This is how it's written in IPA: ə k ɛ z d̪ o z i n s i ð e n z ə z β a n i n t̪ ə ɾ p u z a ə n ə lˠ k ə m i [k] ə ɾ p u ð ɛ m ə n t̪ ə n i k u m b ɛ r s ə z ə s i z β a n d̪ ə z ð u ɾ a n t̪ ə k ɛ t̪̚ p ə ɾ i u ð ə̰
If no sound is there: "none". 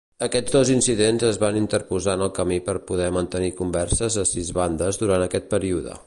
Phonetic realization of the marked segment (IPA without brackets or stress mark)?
p